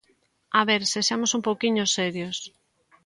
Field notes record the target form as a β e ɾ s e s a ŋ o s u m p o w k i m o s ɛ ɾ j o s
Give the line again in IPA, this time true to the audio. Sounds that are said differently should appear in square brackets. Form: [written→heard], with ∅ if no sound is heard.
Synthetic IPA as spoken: a β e ɾ s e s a [ŋ→m] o s u m p o w k i [m→ɲ] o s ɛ ɾ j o s